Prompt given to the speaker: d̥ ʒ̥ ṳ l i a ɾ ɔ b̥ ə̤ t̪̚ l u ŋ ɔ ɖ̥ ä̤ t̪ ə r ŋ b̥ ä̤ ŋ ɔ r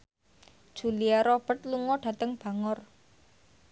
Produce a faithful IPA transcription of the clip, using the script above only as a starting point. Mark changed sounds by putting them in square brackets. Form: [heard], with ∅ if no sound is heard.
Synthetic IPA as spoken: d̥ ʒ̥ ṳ l i a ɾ ɔ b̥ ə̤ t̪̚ l u ŋ ɔ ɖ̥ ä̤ t̪ ə [∅] ŋ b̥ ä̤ ŋ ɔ r